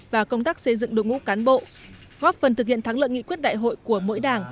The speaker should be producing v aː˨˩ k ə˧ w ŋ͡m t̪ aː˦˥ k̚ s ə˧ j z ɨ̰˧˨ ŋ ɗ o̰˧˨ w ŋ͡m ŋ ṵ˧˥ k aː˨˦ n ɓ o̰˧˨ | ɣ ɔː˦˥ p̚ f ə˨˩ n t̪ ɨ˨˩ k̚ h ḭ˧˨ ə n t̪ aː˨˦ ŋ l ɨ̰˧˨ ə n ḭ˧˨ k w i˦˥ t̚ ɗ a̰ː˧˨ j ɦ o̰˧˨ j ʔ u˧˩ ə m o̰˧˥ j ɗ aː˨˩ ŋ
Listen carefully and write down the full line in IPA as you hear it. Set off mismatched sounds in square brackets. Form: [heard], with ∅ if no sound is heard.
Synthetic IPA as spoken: v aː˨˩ k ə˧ w ŋ͡m t̪ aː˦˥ k̚ s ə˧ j z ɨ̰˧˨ ŋ ɗ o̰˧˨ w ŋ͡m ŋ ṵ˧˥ k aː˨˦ n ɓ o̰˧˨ | ɣ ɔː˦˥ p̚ f ə˨˩ n t̪ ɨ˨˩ k̚ h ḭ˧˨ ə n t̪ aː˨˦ ŋ l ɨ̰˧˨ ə [ŋ] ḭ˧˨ k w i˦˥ t̚ ɗ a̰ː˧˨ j ɦ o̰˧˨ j [k] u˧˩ ə m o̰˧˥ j ɗ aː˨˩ ŋ